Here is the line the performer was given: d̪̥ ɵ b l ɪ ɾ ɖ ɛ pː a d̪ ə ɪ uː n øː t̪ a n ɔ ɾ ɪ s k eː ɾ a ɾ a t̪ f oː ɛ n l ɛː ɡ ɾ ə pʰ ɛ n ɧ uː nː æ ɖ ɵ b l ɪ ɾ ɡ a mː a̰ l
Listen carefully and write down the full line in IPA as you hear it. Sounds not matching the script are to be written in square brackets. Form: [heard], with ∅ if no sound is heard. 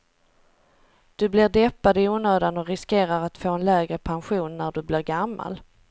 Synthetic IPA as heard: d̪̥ ɵ b l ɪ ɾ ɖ ɛ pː a d̪ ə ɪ uː n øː [d̪] a n ɔ ɾ ɪ s k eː ɾ a ɾ a t̪ f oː ɛ n l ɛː ɡ ɾ ə pʰ [a] n ɧ uː nː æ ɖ ɵ b l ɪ ɾ ɡ a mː a̰ l